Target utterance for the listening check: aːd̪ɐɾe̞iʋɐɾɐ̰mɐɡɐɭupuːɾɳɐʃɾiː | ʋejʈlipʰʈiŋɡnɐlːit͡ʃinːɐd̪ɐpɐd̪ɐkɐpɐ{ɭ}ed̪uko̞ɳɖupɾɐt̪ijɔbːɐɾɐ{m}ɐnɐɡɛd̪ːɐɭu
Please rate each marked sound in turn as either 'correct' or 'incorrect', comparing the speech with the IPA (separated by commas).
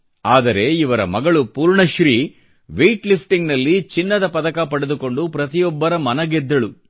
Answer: incorrect, correct